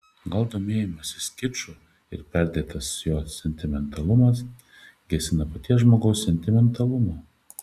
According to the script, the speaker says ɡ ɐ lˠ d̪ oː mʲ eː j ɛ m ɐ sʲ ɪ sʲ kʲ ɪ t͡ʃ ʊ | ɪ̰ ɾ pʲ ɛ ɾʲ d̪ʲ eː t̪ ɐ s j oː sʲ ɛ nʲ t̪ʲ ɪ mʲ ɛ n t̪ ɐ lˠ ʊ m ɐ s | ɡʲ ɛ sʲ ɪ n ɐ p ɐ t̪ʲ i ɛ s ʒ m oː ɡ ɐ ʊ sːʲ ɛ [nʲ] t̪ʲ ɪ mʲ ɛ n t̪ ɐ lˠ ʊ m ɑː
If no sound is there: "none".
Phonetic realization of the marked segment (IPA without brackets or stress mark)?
nʲ